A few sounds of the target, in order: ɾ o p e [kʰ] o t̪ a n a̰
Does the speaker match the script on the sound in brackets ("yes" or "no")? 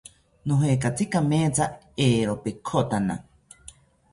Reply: yes